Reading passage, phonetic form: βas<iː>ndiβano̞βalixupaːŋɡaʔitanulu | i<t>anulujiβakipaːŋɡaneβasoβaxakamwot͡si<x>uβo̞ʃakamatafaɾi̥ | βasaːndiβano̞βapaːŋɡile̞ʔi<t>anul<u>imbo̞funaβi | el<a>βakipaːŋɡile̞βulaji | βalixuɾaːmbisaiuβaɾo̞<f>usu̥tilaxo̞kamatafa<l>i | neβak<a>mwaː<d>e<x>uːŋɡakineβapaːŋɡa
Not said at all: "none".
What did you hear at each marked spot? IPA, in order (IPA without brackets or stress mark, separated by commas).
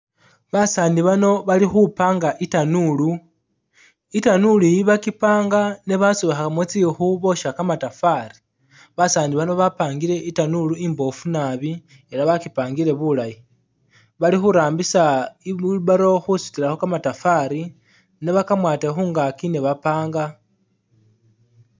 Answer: aː, t, x, t, u, a, x, ɾ, a, t, x